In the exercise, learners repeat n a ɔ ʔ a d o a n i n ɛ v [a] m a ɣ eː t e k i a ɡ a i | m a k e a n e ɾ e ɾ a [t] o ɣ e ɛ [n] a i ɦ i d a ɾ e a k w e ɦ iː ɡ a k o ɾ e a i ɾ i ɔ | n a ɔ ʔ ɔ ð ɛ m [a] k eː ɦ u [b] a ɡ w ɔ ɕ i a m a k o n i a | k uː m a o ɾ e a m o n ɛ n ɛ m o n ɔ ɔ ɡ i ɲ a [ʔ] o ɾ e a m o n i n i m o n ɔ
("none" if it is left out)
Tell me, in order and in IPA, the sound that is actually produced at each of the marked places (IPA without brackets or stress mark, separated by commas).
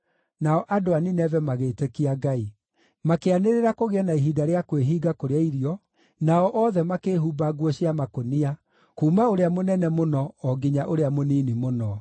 ɛ, k, n, a, b, ʔ